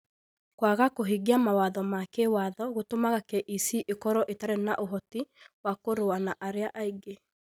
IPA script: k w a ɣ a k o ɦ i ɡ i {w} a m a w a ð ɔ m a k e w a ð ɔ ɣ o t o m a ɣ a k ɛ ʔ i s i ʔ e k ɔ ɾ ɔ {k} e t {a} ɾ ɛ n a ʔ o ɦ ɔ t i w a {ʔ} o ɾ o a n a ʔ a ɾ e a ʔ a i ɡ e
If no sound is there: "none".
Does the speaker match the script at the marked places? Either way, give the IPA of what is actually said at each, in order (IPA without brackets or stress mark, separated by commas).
none, ʔ, a, k